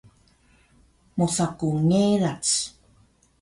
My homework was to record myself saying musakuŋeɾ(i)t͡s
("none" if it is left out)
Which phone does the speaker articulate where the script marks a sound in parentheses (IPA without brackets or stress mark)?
a